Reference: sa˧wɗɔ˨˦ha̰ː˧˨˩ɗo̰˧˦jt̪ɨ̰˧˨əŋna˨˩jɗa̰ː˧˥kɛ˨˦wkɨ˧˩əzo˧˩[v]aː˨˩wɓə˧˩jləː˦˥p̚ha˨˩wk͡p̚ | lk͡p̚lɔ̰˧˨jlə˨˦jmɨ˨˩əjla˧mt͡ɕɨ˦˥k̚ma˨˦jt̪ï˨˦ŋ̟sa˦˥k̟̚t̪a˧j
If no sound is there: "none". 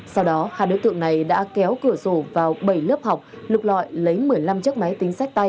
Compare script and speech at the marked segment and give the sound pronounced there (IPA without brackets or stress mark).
v